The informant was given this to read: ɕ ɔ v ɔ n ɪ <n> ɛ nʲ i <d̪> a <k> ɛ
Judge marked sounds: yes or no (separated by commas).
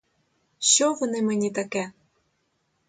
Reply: no, no, yes